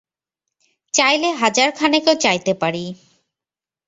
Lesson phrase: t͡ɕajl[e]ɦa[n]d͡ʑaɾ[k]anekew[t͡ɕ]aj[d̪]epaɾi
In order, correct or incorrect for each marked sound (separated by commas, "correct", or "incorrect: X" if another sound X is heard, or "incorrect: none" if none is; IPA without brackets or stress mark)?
correct, incorrect: none, incorrect: kʰ, correct, incorrect: t̪